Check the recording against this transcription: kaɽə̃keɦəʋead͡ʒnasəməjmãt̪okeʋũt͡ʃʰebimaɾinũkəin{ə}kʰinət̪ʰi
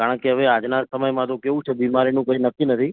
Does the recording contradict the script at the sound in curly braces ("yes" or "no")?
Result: no